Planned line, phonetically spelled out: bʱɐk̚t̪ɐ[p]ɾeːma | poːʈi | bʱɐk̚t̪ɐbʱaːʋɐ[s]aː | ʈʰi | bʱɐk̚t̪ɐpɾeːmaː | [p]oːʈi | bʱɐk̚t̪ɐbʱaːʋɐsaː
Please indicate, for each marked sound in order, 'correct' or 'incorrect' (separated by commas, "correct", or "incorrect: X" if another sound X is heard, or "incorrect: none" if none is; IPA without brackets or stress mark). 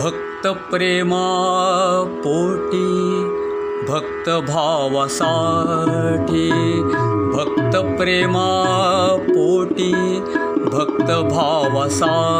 correct, correct, correct